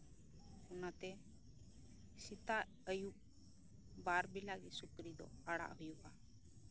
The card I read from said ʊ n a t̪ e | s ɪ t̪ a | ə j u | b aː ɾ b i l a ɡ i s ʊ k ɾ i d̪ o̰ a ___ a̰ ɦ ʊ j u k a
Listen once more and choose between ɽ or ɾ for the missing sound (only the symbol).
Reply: ɽ